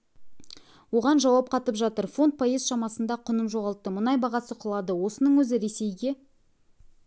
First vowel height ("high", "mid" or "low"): mid